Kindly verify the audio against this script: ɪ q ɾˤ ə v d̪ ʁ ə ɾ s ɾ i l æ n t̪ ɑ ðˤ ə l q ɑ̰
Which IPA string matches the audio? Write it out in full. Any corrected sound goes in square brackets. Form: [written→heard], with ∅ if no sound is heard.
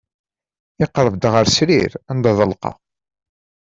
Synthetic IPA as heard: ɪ q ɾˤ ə v d̪ ʁ ə ɾ s ɾ i [l→ɾ] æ n [t̪→d̪] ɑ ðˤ ə l q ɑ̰